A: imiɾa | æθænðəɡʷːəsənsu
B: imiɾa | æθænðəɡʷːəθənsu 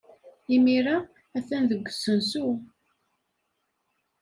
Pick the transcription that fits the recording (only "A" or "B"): A